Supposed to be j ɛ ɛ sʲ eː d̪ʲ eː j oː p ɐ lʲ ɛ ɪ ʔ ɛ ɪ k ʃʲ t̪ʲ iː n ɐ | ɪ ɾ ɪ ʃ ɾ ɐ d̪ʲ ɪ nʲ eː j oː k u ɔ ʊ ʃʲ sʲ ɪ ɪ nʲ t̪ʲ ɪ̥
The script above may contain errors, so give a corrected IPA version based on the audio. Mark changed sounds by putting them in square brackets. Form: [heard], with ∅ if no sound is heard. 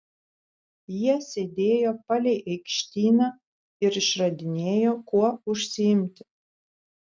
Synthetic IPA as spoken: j [i] ɛ sʲ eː d̪ʲ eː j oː p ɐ lʲ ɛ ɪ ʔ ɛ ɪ k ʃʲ t̪ʲ iː n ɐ | ɪ ɾ ɪ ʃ ɾ ɐ d̪ʲ ɪ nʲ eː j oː k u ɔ ʊ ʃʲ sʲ ɪ ɪ [mʲ] t̪ʲ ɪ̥